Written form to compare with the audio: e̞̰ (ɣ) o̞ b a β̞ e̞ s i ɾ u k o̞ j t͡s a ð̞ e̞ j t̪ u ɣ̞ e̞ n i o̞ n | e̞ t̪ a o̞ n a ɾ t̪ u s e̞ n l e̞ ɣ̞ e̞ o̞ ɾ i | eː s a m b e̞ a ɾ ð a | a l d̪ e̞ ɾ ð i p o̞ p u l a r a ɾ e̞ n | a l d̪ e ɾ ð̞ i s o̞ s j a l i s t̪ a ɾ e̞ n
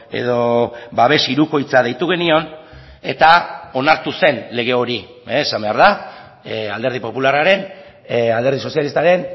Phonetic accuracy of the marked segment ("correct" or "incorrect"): incorrect